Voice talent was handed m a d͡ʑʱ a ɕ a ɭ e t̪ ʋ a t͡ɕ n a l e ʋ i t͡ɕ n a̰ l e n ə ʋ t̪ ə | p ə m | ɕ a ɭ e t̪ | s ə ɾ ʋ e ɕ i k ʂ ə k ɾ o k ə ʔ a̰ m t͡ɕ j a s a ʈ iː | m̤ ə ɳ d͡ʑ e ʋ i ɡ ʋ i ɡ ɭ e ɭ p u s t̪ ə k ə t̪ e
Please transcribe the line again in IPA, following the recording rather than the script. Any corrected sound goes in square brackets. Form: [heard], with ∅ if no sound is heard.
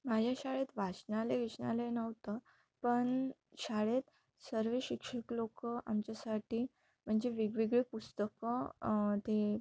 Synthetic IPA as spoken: m a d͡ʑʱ a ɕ a ɭ e t̪ ʋ a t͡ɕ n a l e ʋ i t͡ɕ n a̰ l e n ə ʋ t̪ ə | p ə [ɳ] | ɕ a ɭ e t̪ | s ə ɾ ʋ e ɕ i k ʂ ə k [l] o k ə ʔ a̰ m t͡ɕ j a s a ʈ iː | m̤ ə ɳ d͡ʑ e ʋ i ɡ ʋ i ɡ ɭ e [∅] p u s t̪ ə k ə t̪ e